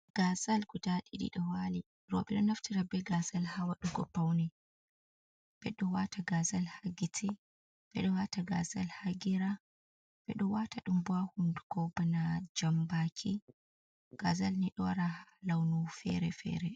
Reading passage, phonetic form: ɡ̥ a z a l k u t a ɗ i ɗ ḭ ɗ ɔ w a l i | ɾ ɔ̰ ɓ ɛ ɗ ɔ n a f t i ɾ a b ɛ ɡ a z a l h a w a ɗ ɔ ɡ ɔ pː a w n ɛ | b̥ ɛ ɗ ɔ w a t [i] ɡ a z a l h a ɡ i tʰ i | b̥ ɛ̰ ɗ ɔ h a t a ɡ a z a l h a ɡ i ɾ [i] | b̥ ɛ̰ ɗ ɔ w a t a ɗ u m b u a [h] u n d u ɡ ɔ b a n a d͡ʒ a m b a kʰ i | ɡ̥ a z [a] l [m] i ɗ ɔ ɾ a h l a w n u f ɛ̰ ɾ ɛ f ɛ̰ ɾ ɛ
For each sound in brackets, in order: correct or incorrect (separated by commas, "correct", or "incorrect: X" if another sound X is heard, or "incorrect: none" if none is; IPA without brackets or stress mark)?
incorrect: a, incorrect: a, correct, correct, incorrect: n